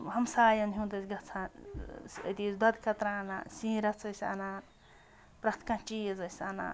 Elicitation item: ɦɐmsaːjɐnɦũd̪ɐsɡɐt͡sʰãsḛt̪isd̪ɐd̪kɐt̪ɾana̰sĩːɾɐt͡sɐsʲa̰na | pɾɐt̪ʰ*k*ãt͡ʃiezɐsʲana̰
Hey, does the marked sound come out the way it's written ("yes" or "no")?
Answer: yes